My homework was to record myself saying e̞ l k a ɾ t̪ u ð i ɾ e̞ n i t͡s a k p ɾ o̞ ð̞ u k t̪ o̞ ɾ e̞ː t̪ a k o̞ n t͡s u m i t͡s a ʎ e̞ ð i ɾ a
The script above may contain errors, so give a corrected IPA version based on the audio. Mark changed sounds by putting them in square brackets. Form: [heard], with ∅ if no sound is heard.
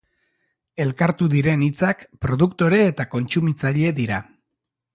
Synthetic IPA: e̞ l k a ɾ t̪ u ð i ɾ e̞ n i t͡s a k p ɾ o̞ ð̞ u k t̪ o̞ ɾ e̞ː t̪ a k o̞ n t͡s u m i t͡s a ʎ e̞ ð i ɾ a

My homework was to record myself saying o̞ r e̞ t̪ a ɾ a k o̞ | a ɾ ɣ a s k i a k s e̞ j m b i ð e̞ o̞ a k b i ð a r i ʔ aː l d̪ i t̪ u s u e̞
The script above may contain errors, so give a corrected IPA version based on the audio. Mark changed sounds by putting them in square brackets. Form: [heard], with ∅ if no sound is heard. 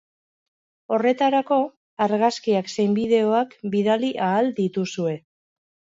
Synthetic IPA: o̞ r e̞ t̪ a ɾ a k o̞ | a ɾ ɣ a s k i a k s e̞ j m b i ð e̞ o̞ a k b i ð a [l] i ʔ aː l d̪ i t̪ u s u e̞

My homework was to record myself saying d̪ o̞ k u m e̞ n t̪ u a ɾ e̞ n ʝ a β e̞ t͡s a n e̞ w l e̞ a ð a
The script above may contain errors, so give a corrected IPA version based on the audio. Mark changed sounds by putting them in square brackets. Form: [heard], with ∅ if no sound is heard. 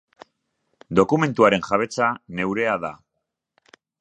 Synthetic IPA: d̪ o̞ k u m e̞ n t̪ u a ɾ e̞ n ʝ a β e̞ t͡s a n e̞ w [ɾ] e̞ a ð a

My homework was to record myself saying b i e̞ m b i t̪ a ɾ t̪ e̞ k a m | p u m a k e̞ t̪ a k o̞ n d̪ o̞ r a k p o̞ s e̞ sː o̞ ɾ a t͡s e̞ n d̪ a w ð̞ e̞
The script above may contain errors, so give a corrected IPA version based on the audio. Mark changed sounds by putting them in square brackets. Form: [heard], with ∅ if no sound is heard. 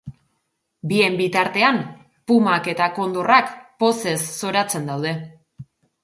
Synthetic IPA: b i e̞ m b i t̪ a ɾ t̪ e̞ [∅] a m | p u m a k e̞ t̪ a k o̞ n d̪ o̞ r a k p o̞ s e̞ sː o̞ ɾ a t͡s e̞ n d̪ a w ð̞ e̞

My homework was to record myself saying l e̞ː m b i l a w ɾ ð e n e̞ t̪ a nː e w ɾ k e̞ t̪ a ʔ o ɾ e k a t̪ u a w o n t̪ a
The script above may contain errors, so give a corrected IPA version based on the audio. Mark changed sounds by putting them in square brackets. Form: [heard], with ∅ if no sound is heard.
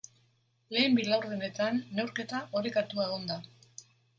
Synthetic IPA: l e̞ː m b i l a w ɾ ð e n e̞ t̪ a nː e w ɾ k e̞ t̪ a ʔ o ɾ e k a t̪ u a [ɣ] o n [d̪] a

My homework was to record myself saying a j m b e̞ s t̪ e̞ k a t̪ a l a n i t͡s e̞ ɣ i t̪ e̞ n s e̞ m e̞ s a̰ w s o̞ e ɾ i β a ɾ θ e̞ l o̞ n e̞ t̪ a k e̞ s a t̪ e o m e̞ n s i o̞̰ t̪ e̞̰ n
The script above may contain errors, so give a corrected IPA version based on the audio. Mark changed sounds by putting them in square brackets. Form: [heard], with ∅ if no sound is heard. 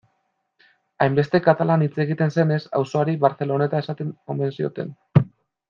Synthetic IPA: a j m b e̞ s t̪ e̞ k a t̪ a l a n i t͡s e̞ ɣ i t̪ e̞ n s e̞ [n] e̞ s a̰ w s o̞ [a] ɾ i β a ɾ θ e̞ l o̞ n e̞ t̪ a [∅] e̞ s a t̪ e o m e̞ n s i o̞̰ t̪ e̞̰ n

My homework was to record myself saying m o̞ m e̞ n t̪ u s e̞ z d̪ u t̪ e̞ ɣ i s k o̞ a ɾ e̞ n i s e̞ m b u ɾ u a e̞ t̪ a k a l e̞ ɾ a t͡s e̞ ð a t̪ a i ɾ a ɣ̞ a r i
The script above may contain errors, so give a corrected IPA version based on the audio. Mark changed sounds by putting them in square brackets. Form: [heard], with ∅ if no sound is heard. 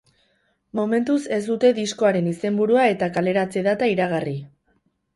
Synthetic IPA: m o̞ m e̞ n t̪ u s e̞ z d̪ u t̪ e̞ [ð] i s k o̞ a ɾ e̞ n i s e̞ m b u ɾ u a e̞ t̪ a k a l e̞ ɾ a t͡s e̞ ð a t̪ a i ɾ a ɣ̞ a r i

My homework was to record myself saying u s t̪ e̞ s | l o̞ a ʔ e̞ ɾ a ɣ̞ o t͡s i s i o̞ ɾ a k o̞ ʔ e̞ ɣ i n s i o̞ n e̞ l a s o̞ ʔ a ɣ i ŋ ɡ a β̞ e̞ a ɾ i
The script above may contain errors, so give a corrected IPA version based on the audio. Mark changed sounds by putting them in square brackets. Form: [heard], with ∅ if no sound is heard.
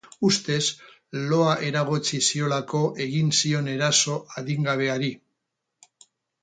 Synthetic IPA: u s t̪ e̞ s | l o̞ a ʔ e̞ ɾ a ɣ̞ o t͡s i s i o̞ [l] a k o̞ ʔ e̞ ɣ i n s i o̞ n e̞ [ɾ] a s o̞ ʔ a [ð] i ŋ ɡ a β̞ e̞ a ɾ i

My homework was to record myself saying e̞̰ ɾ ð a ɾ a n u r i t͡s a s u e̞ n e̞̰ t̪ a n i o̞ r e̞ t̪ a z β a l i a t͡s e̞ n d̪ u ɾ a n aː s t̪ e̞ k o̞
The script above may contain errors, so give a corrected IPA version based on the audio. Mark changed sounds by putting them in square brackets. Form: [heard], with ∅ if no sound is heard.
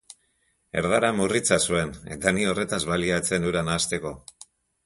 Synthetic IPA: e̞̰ ɾ ð a ɾ a [m] u r i t͡s a s u e̞ n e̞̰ t̪ a n i o̞ r e̞ t̪ a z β a l i a t͡s e̞ n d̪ u ɾ a n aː s t̪ e̞ k o̞

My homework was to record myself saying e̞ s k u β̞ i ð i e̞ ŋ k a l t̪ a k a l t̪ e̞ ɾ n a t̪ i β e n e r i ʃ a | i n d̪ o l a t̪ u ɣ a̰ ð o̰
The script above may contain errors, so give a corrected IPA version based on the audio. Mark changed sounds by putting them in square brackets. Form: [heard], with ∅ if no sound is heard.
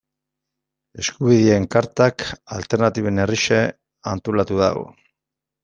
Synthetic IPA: e̞ s k u β̞ i ð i e̞ ŋ k a [ɾ] t̪ a k a l t̪ e̞ ɾ n a t̪ i β e n e r i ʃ [e] | [a] n [t̪] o l a t̪ u [ð] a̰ [ɣ] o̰

